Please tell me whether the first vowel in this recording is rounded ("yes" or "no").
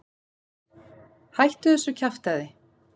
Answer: no